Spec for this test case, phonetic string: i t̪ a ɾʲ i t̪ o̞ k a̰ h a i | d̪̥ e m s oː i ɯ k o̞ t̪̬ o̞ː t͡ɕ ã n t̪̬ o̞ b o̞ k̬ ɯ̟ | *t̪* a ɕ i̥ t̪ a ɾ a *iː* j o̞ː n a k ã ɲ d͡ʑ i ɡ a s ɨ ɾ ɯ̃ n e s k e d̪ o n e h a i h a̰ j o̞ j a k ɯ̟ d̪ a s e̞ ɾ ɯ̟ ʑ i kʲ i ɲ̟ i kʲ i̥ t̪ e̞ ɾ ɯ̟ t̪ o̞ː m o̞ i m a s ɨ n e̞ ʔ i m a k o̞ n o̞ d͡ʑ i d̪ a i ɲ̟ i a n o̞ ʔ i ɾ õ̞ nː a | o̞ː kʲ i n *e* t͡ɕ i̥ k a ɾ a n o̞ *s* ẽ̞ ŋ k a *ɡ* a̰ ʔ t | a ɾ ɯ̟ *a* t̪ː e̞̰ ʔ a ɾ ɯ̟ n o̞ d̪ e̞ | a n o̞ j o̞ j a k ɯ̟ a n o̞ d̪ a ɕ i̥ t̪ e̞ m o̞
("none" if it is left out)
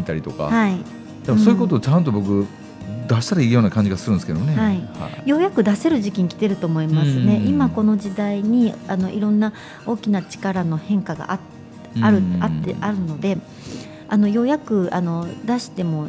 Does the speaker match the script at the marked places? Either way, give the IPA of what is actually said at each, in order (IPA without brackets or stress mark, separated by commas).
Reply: d̪, iː, a, h, ɡ, a